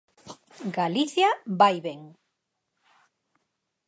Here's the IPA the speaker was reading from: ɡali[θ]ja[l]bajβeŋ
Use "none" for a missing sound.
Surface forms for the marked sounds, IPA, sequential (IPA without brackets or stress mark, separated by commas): θ, none